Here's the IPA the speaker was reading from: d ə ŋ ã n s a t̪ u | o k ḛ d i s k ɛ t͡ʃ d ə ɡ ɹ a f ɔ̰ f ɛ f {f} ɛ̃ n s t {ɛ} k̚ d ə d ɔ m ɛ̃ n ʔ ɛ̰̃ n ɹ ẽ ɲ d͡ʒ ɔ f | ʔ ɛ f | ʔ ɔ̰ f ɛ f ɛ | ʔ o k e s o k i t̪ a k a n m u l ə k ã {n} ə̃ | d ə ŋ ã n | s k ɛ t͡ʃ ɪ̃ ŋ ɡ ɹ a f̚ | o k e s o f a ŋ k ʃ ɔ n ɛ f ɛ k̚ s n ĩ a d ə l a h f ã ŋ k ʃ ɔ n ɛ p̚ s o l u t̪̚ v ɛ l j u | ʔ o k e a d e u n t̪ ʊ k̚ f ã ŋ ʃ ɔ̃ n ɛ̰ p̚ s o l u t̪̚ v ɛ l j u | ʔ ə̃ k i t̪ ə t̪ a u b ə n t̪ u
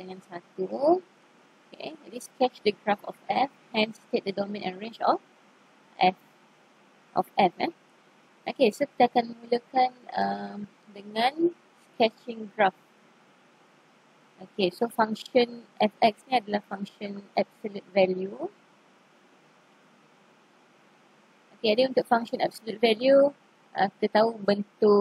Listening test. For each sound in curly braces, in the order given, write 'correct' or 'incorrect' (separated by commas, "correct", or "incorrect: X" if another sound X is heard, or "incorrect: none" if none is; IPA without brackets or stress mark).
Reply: incorrect: h, incorrect: e, correct